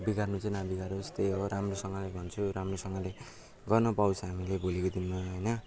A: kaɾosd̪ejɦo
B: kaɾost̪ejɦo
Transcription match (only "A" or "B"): B